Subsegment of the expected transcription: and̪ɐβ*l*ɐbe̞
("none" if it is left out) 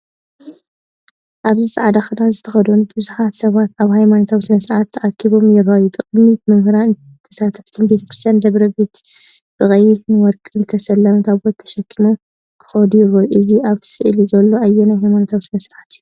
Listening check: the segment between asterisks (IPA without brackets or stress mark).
ɾ